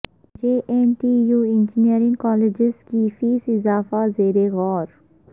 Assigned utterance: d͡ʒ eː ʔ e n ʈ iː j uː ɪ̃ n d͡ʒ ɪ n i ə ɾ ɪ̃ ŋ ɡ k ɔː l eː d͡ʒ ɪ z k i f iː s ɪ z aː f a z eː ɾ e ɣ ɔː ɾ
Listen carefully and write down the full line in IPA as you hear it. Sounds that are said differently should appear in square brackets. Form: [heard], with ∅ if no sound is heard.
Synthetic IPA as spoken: d͡ʒ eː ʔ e n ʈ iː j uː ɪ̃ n d͡ʒ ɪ n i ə ɾ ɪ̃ ŋ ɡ k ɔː l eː d͡ʒ ɪ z k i f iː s ɪ z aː f a z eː ɾ e ɣ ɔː ɾ